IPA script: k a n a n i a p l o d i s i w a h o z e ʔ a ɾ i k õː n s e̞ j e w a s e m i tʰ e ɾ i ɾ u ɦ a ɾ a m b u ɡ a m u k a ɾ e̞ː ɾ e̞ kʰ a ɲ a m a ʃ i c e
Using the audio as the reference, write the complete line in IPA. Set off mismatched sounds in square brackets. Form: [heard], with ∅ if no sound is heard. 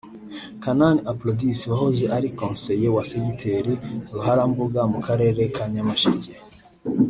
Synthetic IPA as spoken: k a n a n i a p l o d i s i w a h o z e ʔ a ɾ i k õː n s e̞ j e w a s e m i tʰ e ɾ i ɾ u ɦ a ɾ a m b u ɡ a m u k a ɾ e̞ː ɾ e̞ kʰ a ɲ a m a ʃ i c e